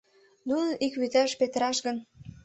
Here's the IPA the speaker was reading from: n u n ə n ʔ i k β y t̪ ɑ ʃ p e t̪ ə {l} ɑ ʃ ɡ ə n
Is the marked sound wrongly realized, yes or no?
yes